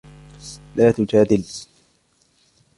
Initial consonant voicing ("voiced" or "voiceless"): voiced